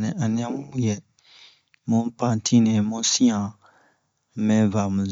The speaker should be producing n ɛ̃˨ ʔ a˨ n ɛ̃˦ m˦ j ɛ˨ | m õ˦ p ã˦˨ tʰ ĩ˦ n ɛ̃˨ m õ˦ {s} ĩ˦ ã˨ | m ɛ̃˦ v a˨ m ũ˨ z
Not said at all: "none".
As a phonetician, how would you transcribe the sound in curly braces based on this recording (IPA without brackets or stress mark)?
s